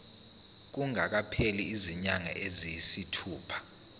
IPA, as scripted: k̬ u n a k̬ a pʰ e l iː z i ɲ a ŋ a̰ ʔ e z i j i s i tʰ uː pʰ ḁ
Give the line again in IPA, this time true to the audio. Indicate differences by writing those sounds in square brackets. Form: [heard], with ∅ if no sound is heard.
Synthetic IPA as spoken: k̬ u [ŋ] a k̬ a pʰ e l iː z i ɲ a ŋ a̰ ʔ e z i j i s i tʰ uː pʰ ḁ